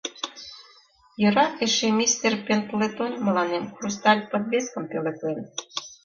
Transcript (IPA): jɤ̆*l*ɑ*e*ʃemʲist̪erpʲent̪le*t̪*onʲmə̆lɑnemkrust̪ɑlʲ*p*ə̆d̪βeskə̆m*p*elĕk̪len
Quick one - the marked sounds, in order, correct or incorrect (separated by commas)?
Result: incorrect, correct, correct, correct, correct